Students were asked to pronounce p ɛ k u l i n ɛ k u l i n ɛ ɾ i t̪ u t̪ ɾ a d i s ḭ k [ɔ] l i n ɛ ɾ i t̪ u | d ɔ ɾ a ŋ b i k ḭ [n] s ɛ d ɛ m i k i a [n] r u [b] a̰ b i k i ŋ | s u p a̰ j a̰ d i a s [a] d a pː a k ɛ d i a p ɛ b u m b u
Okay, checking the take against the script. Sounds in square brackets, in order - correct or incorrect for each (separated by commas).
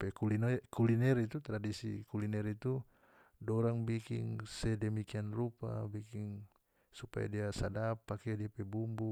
incorrect, incorrect, correct, incorrect, correct